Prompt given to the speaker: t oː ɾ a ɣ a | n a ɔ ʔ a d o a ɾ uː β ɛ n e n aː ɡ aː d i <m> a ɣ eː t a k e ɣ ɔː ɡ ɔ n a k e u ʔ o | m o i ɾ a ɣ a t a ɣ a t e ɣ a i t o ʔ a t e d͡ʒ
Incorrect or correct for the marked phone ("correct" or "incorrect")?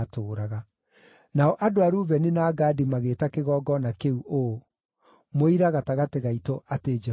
correct